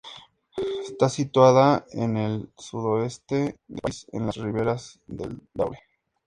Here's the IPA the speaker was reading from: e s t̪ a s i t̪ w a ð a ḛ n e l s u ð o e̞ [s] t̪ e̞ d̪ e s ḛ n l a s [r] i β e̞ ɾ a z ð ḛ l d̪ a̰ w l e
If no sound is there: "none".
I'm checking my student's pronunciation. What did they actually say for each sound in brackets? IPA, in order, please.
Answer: s, r

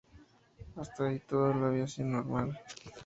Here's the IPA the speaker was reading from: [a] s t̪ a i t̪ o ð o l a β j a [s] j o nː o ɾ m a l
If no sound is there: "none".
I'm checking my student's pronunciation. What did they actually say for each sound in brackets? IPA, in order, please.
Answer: a, s

